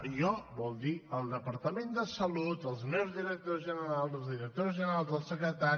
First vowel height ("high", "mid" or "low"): mid